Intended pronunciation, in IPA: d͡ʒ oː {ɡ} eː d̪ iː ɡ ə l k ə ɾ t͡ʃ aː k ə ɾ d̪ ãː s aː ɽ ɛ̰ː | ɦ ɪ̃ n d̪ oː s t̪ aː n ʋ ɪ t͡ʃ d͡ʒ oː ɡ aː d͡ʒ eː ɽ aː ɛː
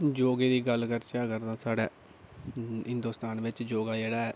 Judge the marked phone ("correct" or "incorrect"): correct